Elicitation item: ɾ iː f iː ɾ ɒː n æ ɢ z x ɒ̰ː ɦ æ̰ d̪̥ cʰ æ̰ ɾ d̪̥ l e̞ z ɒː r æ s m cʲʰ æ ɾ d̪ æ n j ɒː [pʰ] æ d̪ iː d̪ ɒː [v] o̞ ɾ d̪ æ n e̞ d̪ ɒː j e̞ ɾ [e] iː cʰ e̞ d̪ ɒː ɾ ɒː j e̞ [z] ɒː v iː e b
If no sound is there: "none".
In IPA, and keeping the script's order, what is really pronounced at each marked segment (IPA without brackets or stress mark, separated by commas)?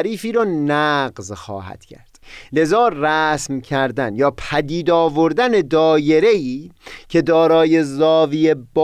pʰ, v, e, z